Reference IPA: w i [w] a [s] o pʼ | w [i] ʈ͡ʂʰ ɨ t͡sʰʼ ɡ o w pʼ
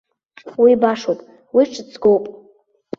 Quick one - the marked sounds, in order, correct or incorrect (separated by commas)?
incorrect, incorrect, correct